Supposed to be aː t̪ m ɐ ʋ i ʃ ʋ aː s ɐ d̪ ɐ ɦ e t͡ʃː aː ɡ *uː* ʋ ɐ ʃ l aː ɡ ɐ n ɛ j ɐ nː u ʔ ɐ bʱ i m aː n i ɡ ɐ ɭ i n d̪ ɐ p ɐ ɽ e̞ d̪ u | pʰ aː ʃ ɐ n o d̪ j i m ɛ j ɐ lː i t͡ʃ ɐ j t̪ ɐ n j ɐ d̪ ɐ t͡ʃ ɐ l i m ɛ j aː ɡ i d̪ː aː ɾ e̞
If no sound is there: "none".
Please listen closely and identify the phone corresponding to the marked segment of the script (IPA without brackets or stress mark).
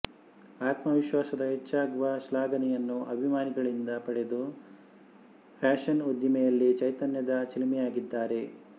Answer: u